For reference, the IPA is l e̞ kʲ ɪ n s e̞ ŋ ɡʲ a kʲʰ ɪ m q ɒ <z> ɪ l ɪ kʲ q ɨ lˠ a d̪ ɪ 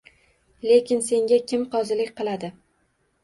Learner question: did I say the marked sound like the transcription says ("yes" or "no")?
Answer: yes